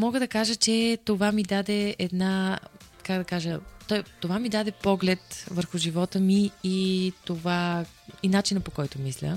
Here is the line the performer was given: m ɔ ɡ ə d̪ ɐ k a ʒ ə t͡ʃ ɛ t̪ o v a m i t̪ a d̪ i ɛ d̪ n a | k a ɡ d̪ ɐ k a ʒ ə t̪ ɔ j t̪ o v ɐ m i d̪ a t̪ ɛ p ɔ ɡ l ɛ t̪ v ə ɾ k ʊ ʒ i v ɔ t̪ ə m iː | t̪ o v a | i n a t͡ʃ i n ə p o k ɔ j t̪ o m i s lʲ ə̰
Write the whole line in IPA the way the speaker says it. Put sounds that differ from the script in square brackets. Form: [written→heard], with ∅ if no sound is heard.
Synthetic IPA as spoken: m ɔ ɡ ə d̪ ɐ k a ʒ ə t͡ʃ ɛ t̪ o v a m i [t̪→d̪] a d̪ [i→ɛ] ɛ d̪ n a | k a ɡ d̪ ɐ k a ʒ ə t̪ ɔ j t̪ o v [ɐ→a] m i d̪ a [t̪→d̪] ɛ p ɔ ɡ l ɛ t̪ v ə ɾ [k→x] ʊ ʒ i v ɔ t̪ ə m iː | t̪ o v a | i n a t͡ʃ i n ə p o k ɔ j t̪ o m i s lʲ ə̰